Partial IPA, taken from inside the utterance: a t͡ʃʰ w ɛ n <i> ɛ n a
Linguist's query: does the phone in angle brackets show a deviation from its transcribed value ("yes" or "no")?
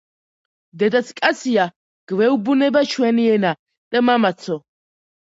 no